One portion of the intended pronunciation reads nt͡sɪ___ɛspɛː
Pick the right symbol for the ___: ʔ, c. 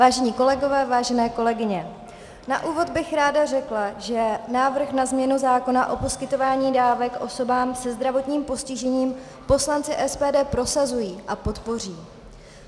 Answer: ʔ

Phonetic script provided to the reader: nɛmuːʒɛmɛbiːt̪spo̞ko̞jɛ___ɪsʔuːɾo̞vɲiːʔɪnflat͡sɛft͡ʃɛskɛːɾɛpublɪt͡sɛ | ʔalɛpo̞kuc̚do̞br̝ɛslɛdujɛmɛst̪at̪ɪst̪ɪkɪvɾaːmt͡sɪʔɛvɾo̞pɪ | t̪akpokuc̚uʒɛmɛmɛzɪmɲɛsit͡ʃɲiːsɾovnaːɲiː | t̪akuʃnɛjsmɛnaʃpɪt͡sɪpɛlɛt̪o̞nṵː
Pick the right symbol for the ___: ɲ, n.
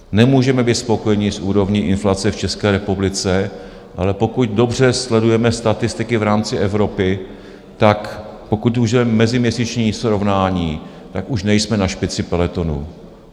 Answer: ɲ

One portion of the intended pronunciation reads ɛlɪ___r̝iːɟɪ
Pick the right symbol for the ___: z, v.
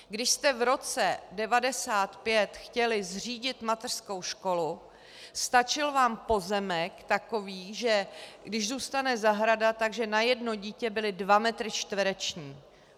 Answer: z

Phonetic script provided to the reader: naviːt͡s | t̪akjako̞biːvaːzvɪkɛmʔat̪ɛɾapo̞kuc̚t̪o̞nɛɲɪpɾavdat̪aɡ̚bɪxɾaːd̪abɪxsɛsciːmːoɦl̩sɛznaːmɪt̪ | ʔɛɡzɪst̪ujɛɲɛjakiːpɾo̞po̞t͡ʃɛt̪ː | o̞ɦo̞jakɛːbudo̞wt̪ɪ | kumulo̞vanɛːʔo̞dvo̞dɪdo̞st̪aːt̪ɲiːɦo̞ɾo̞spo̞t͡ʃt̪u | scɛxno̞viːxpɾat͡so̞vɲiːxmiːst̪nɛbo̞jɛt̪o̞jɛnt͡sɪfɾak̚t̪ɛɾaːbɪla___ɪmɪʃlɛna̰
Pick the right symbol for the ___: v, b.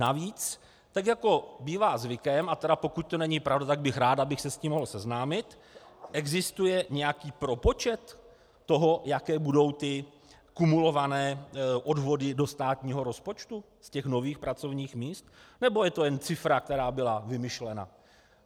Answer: v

